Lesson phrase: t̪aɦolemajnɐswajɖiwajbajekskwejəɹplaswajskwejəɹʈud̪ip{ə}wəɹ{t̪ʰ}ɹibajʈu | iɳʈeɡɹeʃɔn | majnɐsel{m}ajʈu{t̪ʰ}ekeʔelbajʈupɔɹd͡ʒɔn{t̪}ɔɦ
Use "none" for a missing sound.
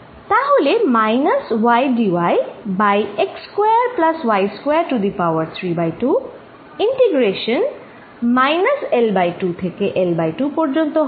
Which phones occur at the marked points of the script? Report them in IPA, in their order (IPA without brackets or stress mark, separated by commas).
a, t̪ʰ, b, t̪ʰ, t̪